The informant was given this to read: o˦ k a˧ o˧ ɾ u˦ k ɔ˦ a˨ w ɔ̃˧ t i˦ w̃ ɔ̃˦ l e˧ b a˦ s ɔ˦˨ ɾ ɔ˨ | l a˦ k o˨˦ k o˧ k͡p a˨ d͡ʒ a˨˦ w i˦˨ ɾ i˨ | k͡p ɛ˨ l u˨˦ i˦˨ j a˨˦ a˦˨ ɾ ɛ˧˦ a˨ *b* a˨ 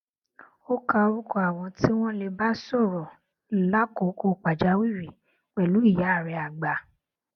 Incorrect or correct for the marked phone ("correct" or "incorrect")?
incorrect